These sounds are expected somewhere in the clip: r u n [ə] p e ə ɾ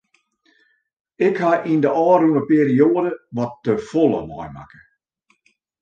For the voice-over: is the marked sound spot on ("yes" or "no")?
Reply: yes